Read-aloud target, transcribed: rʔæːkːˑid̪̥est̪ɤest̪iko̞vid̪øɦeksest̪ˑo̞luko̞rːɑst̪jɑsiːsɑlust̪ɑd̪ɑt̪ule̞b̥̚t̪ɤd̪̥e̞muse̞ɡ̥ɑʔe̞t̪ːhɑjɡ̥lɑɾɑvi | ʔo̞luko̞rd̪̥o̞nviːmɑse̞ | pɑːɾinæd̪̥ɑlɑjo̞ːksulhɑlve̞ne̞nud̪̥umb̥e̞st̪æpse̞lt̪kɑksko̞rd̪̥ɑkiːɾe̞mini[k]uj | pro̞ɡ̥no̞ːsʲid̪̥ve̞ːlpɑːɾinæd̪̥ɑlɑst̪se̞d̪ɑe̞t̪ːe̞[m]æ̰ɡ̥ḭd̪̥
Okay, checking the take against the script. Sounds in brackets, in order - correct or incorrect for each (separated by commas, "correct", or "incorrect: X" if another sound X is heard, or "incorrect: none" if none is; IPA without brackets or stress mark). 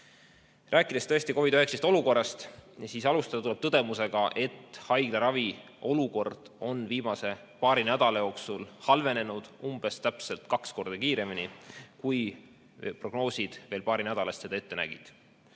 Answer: correct, incorrect: n